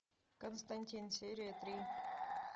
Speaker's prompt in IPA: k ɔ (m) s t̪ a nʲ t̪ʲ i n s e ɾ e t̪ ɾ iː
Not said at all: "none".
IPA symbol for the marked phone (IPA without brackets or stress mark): n